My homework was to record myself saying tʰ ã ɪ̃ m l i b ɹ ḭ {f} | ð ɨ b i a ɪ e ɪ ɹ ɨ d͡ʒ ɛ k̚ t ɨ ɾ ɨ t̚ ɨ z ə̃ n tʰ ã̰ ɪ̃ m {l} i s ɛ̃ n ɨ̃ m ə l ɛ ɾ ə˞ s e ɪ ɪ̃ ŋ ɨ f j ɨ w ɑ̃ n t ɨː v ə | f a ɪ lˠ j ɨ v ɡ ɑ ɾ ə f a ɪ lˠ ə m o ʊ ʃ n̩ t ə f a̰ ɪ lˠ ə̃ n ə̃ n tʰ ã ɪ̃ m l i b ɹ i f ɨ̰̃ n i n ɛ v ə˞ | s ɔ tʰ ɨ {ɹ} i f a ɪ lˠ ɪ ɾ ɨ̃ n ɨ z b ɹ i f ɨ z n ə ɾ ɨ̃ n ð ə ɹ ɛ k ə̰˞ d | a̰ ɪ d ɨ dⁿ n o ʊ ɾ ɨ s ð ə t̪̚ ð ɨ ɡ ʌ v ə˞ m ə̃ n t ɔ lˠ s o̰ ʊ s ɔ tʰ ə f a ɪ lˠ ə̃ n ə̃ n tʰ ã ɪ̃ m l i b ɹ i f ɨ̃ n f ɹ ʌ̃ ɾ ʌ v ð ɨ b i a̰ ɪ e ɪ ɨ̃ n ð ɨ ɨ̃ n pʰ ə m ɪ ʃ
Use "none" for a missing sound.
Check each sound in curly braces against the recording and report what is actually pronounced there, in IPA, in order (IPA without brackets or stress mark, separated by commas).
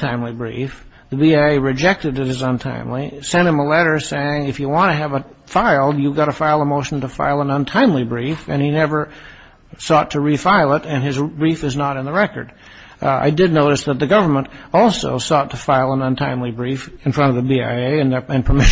f, l, ɹ